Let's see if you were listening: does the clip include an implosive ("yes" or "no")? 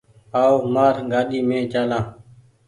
yes